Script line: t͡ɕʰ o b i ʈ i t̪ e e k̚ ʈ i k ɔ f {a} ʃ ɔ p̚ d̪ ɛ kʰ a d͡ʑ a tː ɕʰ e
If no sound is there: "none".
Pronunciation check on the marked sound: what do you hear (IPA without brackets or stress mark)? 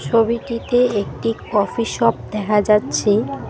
i